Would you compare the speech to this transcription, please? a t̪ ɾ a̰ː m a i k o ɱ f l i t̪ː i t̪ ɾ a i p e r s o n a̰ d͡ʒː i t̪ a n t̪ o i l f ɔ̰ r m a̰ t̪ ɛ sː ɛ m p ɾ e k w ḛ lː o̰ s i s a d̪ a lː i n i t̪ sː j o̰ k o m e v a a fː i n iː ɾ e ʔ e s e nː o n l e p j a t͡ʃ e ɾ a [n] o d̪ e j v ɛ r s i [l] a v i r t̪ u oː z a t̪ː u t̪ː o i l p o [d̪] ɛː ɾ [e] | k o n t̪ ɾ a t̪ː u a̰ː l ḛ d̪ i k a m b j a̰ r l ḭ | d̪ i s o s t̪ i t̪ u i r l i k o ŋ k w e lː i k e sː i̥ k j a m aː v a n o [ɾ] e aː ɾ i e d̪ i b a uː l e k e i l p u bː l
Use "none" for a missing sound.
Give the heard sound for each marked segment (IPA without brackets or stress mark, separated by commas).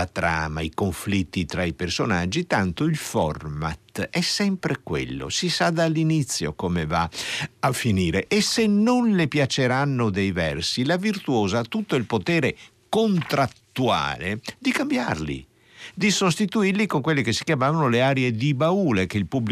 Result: nː, l, t̪, e, l